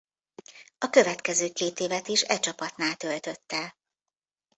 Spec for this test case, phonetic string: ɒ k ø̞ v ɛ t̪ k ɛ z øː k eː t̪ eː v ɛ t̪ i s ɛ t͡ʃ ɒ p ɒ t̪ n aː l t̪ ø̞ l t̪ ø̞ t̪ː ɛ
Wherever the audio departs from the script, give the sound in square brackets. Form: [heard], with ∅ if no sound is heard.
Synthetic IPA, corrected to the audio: ɒ k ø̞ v ɛ t̪ k ɛ z øː k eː t̪ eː v ɛ t̪ i [ʃ] ɛ t͡ʃ ɒ p ɒ t̪ n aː l t̪ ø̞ l t̪ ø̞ t̪ː ɛ